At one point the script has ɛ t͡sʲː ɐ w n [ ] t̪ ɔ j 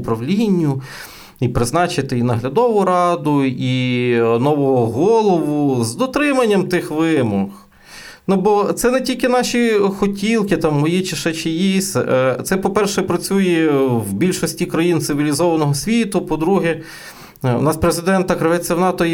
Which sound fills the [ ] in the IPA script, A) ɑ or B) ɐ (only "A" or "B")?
A